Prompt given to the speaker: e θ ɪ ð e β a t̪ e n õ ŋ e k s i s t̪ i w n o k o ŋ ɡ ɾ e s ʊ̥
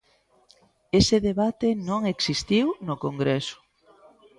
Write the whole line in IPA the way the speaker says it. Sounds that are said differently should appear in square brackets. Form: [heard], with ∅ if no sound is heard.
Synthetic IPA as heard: e [s] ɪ ð e β a t̪ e n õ ŋ e k s i s t̪ i w n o k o ŋ ɡ ɾ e s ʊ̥

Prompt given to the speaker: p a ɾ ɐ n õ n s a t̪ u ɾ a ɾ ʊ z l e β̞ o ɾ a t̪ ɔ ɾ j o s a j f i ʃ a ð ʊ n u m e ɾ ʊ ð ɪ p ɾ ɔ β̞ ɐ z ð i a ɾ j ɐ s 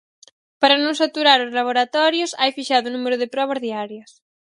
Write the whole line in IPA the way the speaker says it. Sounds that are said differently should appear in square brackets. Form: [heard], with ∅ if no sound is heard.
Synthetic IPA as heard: p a ɾ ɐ n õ [ŋ] s a t̪ u ɾ a ɾ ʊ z l [a] β̞ o ɾ a t̪ ɔ ɾ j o s a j f i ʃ a ð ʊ n u m e ɾ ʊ ð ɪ p ɾ ɔ β̞ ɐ z ð i a ɾ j ɐ s

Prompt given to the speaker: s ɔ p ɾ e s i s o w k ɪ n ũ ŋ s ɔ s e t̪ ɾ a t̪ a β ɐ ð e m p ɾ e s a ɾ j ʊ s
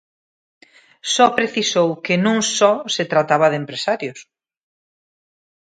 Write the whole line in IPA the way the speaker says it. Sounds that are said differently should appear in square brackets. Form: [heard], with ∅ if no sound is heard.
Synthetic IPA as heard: s ɔ p ɾ e [θ] i s o w k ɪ n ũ ŋ s ɔ s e t̪ ɾ a t̪ a β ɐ ð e m p ɾ e s a ɾ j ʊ s

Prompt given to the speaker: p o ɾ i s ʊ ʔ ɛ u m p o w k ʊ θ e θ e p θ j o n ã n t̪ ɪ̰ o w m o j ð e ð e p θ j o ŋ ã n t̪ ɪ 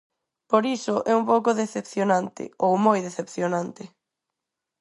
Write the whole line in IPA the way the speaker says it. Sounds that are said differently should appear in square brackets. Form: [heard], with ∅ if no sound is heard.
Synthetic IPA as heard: p o ɾ i s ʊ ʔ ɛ u m p o w k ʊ [ð] e θ e p θ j o n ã n t̪ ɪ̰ o w m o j ð e [θ] e p θ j o [n] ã n t̪ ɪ

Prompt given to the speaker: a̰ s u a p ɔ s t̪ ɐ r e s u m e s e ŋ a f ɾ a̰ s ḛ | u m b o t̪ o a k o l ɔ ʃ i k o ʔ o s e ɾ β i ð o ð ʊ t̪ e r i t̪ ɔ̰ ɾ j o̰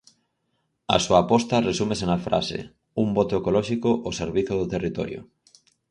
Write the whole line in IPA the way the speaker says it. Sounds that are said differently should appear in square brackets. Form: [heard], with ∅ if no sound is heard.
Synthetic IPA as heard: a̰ s u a p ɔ s t̪ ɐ r e s u m e s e [n] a f ɾ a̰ s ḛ | u m b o t̪ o [e] k o l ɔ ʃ i k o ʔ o s e ɾ β i [θ] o ð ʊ t̪ e r i t̪ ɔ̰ ɾ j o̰

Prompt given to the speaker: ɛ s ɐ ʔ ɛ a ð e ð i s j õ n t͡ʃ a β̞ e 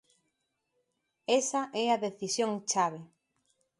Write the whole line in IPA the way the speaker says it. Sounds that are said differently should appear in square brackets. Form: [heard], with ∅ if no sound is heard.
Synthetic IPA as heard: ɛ s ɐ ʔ ɛ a ð e [θ] i s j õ [ŋ] t͡ʃ a β̞ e

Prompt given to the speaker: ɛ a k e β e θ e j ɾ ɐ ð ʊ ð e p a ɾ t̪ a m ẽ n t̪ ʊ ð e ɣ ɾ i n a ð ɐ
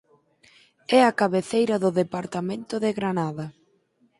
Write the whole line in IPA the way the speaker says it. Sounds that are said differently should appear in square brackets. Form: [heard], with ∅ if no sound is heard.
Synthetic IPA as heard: ɛ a k [a] β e θ e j ɾ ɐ ð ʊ ð e p a ɾ t̪ a m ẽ n t̪ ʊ ð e ɣ ɾ [a] n a ð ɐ

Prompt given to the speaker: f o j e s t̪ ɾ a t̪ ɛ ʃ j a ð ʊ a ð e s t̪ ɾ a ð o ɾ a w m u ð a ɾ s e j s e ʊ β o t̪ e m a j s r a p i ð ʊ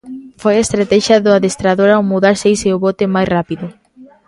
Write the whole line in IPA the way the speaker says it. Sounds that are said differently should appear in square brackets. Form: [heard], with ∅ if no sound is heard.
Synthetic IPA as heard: f o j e s t̪ ɾ a t̪ ɛ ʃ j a ð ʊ a ð e s t̪ ɾ a ð o ɾ a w m u ð a ɾ s e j s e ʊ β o t̪ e m a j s r a p i ð ʊ

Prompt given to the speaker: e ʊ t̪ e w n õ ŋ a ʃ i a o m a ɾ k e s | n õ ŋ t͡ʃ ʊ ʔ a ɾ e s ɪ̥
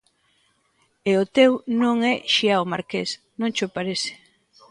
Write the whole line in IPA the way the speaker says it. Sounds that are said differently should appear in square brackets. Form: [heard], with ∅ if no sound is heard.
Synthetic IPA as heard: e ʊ t̪ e w n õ ŋ [ɛ] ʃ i a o m a ɾ k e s | n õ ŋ t͡ʃ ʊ [p] a ɾ e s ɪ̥

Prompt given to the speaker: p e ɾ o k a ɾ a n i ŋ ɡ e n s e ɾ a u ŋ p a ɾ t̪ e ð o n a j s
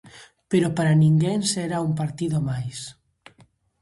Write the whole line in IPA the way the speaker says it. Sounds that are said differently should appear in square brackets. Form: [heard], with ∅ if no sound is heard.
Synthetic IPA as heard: p e ɾ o [p] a ɾ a n i ŋ ɡ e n s e ɾ a u [m] p a ɾ t̪ [i] ð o [m] a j s

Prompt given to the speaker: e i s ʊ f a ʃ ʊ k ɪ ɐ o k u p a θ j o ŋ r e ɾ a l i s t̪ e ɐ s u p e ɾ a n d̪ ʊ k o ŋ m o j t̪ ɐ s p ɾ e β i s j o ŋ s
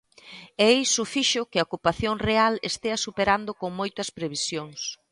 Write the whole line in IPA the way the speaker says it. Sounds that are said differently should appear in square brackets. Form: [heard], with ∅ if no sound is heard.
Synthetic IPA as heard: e [j] s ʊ f [i] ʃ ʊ k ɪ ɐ o k u p a θ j o ŋ r e [∅] a l [e] s t̪ e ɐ s u p e ɾ a n d̪ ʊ k o ŋ m o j t̪ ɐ s p ɾ e β i s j o ŋ s

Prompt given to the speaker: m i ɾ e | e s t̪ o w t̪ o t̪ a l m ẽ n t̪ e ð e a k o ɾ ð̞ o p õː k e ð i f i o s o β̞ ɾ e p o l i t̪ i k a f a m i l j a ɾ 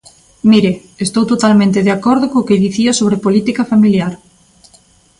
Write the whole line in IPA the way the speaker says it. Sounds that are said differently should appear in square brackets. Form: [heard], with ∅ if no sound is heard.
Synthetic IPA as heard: m i ɾ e | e s t̪ o w t̪ o t̪ a l m ẽ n t̪ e ð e a k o ɾ ð̞ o [k] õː k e ð i [θ] i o s o β̞ ɾ e p o l i t̪ i k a f a m i l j a ɾ

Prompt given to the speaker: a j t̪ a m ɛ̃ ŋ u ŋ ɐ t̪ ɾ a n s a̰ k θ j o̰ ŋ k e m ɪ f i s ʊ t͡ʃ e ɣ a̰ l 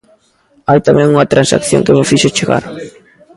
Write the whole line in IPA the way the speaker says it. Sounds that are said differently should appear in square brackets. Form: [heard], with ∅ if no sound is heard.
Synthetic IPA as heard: a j t̪ a m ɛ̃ ŋ u ŋ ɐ t̪ ɾ a n s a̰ k θ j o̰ ŋ k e m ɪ f i [ʃ] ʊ t͡ʃ e ɣ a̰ [ɾ]

